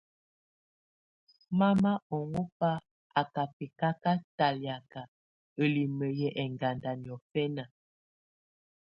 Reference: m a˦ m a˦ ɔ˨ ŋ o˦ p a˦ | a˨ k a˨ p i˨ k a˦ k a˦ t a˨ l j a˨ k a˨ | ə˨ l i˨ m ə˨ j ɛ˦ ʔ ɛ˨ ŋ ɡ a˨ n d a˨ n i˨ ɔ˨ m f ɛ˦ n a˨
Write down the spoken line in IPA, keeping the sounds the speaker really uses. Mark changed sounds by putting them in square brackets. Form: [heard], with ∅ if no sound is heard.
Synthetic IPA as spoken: m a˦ m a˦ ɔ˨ ŋ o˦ p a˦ | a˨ k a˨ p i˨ k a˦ k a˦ t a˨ l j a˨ k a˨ | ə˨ l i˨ m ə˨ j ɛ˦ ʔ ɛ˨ ŋ ɡ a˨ n d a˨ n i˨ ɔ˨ [∅] f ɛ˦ n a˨

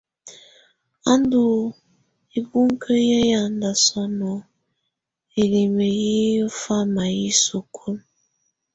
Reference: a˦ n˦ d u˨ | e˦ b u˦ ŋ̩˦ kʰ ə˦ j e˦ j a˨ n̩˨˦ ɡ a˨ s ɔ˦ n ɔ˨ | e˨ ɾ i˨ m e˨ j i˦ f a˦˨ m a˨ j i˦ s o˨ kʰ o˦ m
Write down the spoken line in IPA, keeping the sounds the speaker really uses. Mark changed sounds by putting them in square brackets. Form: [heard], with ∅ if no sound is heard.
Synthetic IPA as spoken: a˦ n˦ d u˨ | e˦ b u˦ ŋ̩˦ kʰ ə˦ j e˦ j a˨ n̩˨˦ [d] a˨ s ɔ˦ n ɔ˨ | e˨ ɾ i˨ m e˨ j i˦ f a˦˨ m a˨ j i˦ s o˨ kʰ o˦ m

